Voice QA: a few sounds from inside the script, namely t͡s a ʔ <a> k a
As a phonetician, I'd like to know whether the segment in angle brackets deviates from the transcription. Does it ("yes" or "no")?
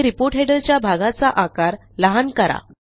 no